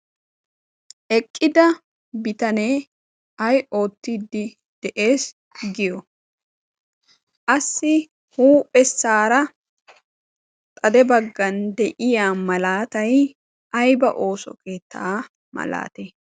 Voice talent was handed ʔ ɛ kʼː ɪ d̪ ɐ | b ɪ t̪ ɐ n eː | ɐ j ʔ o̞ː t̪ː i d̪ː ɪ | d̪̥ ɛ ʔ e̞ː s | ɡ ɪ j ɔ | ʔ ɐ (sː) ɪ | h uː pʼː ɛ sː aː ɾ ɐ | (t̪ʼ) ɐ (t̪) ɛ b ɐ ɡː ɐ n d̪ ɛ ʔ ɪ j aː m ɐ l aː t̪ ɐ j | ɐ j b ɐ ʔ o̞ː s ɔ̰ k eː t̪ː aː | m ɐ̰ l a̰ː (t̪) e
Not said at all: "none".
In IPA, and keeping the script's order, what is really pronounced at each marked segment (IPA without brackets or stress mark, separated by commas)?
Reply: sː, t̪ʼ, d̪, t̪